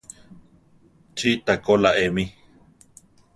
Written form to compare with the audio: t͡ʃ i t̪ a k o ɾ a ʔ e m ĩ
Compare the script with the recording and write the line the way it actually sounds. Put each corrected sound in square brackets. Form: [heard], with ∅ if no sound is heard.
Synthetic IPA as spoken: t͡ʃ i t̪ a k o [l] a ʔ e m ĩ